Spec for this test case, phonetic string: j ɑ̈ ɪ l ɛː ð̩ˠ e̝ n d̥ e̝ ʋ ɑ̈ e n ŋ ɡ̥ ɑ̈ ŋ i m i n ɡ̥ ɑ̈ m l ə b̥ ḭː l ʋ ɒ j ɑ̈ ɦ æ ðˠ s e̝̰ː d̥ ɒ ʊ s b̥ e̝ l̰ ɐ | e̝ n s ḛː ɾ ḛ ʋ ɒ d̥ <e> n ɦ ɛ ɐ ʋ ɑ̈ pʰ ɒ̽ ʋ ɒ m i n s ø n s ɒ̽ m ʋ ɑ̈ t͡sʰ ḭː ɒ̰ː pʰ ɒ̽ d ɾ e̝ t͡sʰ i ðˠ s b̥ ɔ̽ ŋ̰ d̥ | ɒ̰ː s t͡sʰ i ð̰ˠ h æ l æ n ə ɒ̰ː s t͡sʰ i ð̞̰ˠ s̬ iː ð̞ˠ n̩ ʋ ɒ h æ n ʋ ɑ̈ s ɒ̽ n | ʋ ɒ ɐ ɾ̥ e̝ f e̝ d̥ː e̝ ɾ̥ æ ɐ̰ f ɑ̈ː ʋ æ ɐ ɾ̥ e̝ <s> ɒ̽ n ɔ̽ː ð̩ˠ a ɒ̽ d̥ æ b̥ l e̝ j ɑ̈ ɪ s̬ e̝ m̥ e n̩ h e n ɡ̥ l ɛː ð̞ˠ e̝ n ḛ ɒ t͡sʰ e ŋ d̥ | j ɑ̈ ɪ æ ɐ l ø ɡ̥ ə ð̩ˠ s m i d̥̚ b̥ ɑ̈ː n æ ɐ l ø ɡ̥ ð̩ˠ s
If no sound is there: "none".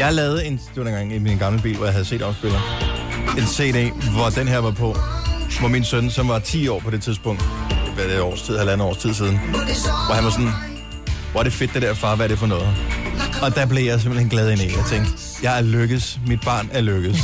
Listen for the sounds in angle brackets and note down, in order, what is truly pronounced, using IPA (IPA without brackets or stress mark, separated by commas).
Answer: e, f